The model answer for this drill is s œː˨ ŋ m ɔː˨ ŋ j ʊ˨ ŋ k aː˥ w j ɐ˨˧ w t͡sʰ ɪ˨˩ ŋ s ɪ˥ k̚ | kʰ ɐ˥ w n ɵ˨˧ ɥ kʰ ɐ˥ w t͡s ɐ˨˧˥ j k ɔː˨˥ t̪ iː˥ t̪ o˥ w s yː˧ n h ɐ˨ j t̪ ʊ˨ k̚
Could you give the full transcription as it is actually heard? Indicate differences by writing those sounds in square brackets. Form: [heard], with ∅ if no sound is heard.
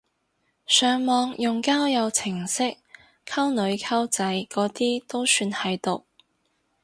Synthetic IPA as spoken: s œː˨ ŋ m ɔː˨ ŋ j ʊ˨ ŋ k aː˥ w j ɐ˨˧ w t͡sʰ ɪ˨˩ ŋ s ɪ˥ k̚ | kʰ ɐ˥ w n ɵ˨˧ ɥ kʰ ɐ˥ w t͡s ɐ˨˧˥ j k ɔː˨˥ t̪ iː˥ t̪ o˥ w s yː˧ n h ɐ˨ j t̪ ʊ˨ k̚

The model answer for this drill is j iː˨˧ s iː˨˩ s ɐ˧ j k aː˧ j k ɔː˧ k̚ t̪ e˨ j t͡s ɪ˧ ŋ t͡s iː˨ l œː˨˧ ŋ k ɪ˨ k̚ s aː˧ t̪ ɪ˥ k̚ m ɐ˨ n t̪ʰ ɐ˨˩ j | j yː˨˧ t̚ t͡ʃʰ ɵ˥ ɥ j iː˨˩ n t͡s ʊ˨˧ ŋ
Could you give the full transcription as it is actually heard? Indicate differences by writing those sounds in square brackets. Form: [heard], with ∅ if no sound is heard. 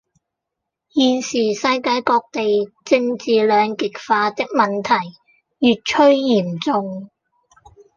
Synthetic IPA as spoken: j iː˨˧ s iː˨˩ s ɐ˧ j k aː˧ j k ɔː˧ k̚ t̪ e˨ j t͡s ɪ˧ ŋ t͡s iː˨ l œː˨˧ ŋ k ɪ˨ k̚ [f] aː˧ t̪ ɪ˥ k̚ m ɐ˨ n t̪ʰ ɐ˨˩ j | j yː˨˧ t̚ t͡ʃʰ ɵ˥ ɥ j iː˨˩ [m] t͡s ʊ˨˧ ŋ

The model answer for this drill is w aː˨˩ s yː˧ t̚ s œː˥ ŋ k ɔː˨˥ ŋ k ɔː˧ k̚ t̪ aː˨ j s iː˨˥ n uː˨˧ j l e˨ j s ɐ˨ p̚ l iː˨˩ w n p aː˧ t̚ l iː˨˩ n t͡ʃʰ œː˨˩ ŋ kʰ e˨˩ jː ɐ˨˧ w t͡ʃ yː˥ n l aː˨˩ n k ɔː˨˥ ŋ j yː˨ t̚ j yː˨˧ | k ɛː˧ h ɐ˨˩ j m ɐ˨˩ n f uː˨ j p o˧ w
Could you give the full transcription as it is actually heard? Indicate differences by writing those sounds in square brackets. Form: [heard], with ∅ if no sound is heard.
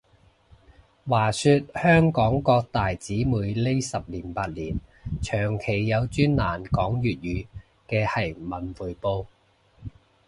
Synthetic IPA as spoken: w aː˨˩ s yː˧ t̚ [h] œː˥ ŋ k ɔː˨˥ ŋ k ɔː˧ k̚ t̪ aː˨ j [t͡s] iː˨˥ [m] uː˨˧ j l [e˥] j s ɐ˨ p̚ l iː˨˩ [∅] n p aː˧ t̚ l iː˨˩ n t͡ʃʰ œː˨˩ ŋ kʰ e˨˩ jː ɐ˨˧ w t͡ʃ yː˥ n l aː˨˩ n k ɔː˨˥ ŋ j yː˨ t̚ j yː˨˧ | k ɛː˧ h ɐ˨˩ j m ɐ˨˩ n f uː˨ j p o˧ w

